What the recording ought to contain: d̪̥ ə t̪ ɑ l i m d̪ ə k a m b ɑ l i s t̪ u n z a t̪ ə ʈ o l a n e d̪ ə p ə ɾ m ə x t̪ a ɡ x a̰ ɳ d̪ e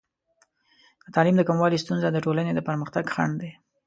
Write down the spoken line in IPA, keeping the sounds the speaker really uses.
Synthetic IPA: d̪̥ ə t̪ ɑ l i m d̪ ə k a m w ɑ l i s t̪ u n z a d̪ ə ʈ o l a n e d̪ ə p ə ɾ m ə x t̪ a ɡ x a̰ ɳ d̪ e